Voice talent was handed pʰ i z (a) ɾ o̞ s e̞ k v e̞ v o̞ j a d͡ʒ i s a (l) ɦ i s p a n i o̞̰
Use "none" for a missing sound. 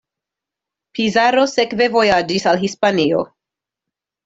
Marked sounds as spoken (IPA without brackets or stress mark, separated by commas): a, l